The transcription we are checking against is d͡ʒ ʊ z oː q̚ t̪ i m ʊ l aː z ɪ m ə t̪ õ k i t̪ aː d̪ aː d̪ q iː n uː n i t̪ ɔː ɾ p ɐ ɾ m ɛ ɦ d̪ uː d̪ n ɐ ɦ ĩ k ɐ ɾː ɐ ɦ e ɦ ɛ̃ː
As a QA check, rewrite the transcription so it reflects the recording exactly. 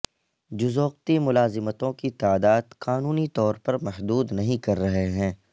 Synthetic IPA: d͡ʒ ʊ z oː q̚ t̪ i m ʊ l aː z ɪ m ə t̪ õ k i t̪ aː d̪ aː d̪ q aː n uː n i t̪ ɔː ɾ p ɐ ɾ m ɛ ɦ d̪ uː d̪ n ɐ ɦ ĩ k ɐ ɾː ɐ ɦ e ɦ ɛ̃ː